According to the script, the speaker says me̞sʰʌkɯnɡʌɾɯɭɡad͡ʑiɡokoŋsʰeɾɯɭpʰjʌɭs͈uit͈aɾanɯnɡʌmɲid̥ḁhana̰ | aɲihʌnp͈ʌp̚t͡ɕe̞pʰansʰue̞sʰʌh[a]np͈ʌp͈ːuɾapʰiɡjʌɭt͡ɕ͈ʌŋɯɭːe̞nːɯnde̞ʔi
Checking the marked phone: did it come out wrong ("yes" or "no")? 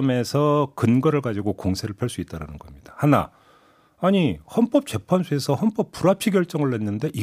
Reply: yes